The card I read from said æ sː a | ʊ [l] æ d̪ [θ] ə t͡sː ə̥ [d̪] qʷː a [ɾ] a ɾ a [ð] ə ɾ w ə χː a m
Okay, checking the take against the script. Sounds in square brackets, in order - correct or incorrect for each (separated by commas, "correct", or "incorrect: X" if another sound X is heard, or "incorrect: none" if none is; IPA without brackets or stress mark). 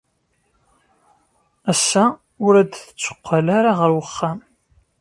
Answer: incorrect: ɾ, correct, incorrect: none, incorrect: l, incorrect: ʁ